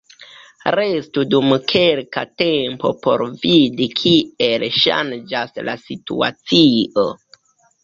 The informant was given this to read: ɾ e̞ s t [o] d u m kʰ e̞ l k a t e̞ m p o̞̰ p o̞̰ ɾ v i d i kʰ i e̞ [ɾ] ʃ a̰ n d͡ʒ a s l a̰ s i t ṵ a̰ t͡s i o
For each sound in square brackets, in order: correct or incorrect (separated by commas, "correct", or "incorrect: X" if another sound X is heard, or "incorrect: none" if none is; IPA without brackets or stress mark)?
incorrect: u, incorrect: l